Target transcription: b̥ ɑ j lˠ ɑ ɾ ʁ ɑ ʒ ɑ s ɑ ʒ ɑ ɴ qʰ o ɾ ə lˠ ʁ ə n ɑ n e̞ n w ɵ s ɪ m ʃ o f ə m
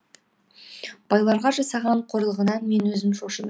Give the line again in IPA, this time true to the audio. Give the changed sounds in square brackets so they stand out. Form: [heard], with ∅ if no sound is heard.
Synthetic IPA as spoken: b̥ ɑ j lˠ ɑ ɾ ʁ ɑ ʒ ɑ s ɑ [ʁ] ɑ ɴ qʰ o ɾ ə lˠ ʁ ə n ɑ [m] e̞ n w ɵ [z] ɪ m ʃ o [ʃ] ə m